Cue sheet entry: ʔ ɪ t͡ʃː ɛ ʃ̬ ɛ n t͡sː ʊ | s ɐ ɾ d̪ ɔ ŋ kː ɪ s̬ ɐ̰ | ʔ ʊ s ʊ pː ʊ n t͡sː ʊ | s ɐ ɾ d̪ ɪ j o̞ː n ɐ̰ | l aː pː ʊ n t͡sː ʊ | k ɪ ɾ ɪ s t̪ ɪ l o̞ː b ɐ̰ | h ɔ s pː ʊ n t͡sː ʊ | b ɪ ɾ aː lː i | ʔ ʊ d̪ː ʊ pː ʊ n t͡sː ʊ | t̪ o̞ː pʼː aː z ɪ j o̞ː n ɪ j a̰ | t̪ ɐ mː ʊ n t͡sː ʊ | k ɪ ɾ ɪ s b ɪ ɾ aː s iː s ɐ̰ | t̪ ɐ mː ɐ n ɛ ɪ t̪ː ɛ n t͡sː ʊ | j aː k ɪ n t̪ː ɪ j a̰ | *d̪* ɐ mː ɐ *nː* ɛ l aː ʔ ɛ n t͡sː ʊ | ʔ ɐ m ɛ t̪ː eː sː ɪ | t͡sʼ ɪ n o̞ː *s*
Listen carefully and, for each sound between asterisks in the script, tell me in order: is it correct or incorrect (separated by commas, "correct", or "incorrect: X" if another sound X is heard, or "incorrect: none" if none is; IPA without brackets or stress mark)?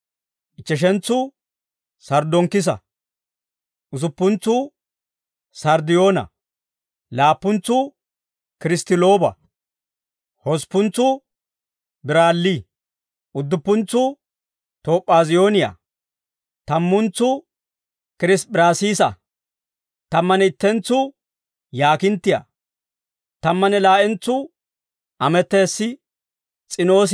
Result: incorrect: t̪, incorrect: n, correct